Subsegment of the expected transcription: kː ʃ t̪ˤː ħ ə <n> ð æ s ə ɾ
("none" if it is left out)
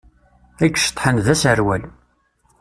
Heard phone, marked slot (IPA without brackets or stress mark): n